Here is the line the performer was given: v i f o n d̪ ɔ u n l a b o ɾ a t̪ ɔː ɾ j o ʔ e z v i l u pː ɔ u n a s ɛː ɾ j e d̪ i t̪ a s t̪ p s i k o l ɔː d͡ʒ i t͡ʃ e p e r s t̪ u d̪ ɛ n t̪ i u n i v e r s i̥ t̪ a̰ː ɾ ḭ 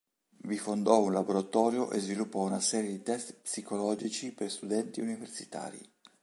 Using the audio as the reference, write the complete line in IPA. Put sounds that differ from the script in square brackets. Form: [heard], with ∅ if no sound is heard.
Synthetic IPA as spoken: v i f o n d̪ ɔ u n l a b o ɾ a t̪ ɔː ɾ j o ʔ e z v i l u pː ɔ u n a s ɛː ɾ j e d̪ i t̪ [ɛ] s t̪ p s i k o l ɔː d͡ʒ i t͡ʃ [i] p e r s t̪ u d̪ ɛ n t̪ i u n i v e r s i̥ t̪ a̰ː ɾ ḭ